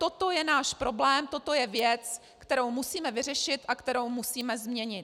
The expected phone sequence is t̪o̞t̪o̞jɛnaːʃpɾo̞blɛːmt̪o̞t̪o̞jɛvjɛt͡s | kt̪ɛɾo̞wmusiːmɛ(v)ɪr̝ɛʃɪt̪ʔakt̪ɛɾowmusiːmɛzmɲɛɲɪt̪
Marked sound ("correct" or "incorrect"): correct